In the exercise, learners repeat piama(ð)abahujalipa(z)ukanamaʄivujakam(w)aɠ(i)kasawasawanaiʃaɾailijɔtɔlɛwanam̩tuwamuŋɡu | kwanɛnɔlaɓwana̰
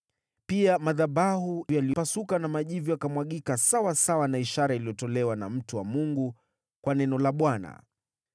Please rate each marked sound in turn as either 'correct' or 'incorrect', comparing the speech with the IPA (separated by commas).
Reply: correct, incorrect, correct, correct